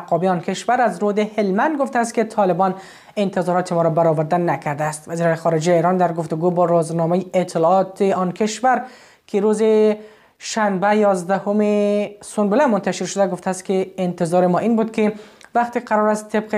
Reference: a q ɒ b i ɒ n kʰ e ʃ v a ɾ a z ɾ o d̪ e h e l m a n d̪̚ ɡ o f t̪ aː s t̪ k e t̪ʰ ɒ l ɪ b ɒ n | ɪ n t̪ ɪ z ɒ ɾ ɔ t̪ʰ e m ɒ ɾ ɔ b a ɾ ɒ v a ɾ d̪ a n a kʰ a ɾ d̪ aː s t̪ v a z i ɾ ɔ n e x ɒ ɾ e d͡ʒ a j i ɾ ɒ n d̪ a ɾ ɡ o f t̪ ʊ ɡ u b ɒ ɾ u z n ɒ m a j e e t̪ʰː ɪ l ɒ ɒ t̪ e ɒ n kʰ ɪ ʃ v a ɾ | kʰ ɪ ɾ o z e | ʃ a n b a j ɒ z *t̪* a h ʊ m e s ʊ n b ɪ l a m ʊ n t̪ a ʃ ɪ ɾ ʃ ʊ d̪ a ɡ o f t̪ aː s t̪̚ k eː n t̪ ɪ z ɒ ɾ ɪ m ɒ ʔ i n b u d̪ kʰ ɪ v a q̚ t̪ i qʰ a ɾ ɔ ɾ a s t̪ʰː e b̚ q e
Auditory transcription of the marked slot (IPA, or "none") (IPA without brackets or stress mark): d̪